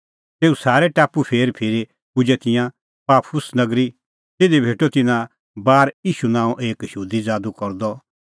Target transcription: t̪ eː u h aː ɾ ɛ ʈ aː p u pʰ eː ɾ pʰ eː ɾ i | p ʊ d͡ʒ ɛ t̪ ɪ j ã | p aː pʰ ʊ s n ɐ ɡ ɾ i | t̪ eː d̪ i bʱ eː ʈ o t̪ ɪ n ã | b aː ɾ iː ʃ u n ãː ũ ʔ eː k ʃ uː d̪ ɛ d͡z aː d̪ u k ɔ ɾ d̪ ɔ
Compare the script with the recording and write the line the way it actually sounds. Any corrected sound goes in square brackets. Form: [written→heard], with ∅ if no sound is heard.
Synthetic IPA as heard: t̪ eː u [h→s] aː ɾ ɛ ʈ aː p u pʰ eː ɾ pʰ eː ɾ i | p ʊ d͡ʒ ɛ t̪ ɪ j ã | p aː pʰ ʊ s n ɐ ɡ ɾ i | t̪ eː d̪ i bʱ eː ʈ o t̪ ɪ n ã | b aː ɾ iː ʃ u n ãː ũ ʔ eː k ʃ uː d̪ [ɛ→i] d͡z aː d̪ u k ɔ ɾ d̪ ɔ